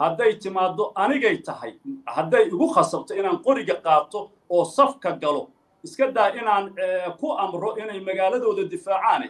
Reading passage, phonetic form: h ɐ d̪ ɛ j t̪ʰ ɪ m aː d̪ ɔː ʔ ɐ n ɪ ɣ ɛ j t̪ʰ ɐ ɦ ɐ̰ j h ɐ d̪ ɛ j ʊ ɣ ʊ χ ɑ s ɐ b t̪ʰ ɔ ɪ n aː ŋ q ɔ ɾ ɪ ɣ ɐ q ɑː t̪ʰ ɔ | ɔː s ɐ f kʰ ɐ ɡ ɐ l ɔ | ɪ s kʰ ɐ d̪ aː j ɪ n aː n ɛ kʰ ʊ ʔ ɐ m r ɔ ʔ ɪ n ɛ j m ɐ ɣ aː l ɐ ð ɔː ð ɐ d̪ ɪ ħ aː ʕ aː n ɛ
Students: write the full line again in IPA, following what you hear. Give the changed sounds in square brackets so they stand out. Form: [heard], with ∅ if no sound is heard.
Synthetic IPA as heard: h ɐ d̪ ɛ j t̪ʰ ɪ m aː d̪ [ɔ] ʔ ɐ n ɪ ɣ ɛ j t̪ʰ ɐ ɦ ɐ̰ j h ɐ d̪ ɛ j ʊ ɣ ʊ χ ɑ s ɐ b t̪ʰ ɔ ɪ n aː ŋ q ɔ ɾ ɪ ɣ ɐ q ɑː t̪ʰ ɔ | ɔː s ɐ f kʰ ɐ ɡ ɐ l ɔ | ɪ s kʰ ɐ d̪ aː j ɪ n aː n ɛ kʰ ʊ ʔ ɐ m r ɔ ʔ ɪ n ɛ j m ɐ ɣ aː l ɐ ð ɔː ð ɐ d̪ ɪ [f] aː ʕ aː n ɛ